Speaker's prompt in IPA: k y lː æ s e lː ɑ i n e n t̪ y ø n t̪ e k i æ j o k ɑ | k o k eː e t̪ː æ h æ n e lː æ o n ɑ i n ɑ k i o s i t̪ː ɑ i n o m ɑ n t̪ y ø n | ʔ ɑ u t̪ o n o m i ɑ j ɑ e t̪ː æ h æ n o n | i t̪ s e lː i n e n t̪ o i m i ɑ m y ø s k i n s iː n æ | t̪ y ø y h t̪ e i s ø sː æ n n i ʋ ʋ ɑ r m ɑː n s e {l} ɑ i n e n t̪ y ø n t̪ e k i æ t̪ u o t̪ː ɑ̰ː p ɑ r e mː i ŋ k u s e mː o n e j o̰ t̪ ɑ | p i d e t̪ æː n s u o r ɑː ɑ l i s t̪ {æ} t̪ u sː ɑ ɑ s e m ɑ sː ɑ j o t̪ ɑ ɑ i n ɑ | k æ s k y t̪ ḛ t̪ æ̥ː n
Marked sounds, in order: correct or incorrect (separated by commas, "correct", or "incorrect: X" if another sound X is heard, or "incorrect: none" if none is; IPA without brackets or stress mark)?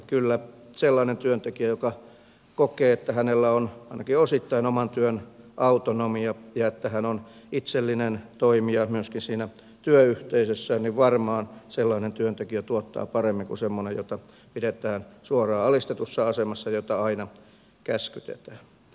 incorrect: lː, incorrect: e